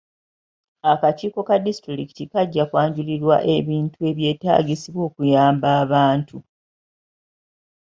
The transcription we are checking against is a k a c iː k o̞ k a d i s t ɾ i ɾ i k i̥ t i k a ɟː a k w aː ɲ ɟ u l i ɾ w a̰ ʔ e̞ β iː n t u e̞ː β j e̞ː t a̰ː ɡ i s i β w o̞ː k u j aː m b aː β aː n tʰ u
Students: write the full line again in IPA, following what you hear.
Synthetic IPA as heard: a k a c iː k o̞ k a d i s t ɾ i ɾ i k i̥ t i k a ɟː a k w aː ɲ ɟ u l i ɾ w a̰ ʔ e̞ β iː n t u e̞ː β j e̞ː t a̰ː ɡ i s i β w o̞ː k u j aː m b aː β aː n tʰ u